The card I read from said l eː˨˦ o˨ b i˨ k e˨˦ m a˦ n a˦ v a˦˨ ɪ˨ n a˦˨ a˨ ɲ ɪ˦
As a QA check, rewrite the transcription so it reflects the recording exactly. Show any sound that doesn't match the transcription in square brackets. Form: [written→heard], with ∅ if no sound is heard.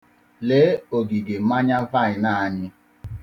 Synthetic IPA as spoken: l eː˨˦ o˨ [b→ɡ] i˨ [k→ɡ] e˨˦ m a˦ [n→ɲ] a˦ v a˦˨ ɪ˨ n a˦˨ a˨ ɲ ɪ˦